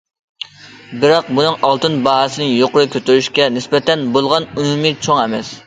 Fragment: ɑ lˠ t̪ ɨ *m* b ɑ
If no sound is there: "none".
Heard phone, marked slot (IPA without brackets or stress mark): n